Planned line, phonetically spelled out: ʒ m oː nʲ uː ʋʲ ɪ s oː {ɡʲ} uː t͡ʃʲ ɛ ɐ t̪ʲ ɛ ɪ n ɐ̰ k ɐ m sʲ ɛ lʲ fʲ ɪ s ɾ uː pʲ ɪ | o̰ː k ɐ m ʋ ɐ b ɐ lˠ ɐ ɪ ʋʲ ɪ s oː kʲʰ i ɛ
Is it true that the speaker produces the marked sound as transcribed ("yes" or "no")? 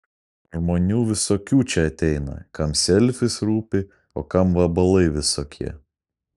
no